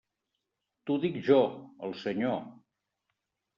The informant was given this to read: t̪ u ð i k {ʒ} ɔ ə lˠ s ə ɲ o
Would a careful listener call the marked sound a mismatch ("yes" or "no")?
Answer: no